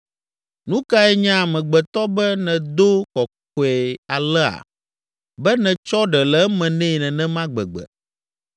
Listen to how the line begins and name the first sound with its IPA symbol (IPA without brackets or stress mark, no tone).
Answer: n